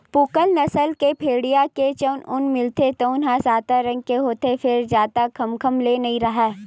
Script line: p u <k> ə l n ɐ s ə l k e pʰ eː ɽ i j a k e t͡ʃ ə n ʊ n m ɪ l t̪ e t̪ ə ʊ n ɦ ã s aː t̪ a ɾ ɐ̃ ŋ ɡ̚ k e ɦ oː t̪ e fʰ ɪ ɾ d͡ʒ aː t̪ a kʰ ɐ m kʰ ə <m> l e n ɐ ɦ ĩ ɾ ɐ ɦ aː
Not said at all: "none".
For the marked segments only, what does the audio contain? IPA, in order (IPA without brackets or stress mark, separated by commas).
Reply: k, m